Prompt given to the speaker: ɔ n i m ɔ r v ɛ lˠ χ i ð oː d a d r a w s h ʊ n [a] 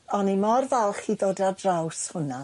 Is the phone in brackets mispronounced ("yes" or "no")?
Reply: no